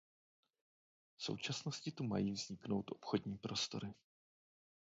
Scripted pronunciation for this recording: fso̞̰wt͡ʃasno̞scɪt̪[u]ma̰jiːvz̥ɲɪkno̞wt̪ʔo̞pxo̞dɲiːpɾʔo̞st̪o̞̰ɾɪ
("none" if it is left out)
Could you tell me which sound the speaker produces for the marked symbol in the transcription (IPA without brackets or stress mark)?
u